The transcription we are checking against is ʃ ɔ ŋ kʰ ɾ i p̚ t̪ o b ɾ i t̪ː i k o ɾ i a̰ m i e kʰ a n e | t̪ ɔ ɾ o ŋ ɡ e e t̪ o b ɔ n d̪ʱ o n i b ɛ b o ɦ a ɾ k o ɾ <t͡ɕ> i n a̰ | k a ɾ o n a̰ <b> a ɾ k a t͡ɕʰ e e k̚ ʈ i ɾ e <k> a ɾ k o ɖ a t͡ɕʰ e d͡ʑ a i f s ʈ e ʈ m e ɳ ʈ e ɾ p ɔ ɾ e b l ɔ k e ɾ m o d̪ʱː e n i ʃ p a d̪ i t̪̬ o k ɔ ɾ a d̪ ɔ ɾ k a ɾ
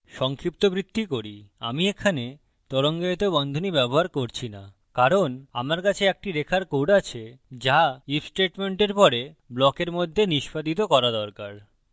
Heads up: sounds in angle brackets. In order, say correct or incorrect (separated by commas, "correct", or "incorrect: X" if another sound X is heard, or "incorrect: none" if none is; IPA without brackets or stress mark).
incorrect: t͡ɕʰ, incorrect: m, incorrect: kʰ